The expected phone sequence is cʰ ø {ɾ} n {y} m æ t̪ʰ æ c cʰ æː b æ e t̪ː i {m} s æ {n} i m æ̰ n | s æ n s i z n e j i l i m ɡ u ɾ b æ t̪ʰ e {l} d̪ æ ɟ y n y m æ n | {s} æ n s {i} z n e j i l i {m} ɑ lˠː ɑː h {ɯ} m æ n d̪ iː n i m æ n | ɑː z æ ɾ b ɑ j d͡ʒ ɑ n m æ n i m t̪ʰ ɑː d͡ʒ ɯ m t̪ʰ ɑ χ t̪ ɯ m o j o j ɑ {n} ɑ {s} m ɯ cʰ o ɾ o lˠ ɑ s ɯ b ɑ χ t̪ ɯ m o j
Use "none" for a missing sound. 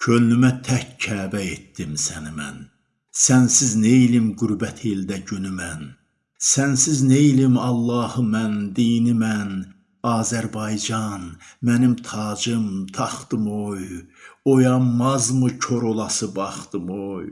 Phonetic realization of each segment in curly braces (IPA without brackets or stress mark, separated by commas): l, y, m, n, l, s, i, m, ɯ, m, z